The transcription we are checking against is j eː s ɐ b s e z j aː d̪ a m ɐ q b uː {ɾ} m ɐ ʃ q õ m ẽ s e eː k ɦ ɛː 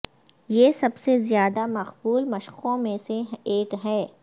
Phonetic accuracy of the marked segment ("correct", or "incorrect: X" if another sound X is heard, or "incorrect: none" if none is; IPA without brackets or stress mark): incorrect: l